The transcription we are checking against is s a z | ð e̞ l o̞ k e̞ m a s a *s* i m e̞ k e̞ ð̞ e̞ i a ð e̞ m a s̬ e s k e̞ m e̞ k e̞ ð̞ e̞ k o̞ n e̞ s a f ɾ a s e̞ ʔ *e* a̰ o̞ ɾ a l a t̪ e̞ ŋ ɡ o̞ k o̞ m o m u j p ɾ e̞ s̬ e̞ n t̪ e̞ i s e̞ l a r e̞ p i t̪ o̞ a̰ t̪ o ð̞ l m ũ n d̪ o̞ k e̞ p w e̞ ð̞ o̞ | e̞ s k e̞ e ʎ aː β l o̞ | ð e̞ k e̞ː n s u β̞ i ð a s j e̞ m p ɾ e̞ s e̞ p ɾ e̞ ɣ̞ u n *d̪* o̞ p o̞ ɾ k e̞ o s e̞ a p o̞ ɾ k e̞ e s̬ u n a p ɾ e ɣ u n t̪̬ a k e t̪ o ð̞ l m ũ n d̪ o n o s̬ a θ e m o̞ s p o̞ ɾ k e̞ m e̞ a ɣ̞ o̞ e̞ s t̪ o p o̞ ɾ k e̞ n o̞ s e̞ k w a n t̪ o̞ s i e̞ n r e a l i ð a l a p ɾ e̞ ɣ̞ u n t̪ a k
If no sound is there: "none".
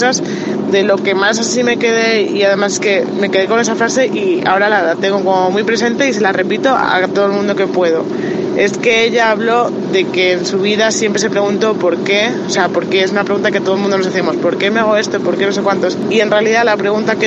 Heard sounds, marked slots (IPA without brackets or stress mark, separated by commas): s, i, t̪